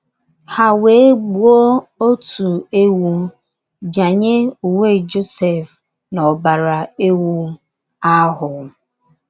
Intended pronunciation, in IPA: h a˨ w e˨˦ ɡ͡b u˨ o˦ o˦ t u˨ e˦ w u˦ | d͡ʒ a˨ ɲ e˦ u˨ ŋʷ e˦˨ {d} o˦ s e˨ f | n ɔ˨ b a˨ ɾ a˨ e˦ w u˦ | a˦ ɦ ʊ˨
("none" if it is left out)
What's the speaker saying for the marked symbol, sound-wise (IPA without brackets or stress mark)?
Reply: d͡ʒ